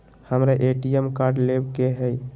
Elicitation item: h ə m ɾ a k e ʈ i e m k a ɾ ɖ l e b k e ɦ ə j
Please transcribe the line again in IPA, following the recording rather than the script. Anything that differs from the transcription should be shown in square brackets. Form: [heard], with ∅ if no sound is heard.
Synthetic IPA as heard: h ə m ɾ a [ʔ] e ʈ i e m k a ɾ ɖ l e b k e ɦ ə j